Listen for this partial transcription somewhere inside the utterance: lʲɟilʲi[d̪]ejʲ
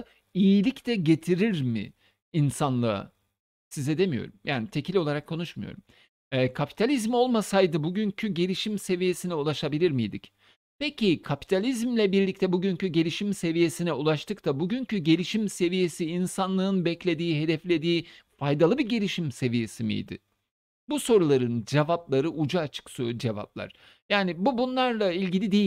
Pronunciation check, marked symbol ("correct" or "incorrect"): correct